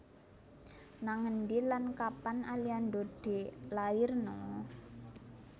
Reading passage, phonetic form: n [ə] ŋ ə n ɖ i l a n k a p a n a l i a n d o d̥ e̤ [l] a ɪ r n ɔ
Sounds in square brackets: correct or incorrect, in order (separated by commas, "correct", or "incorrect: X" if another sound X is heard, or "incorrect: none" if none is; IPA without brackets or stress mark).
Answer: incorrect: a, correct